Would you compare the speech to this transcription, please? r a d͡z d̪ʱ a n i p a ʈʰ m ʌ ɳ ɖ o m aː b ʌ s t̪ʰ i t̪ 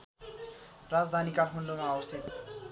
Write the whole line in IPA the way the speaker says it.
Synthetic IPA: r a d͡z d̪ʱ a n i k a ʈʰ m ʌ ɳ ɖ o m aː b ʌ s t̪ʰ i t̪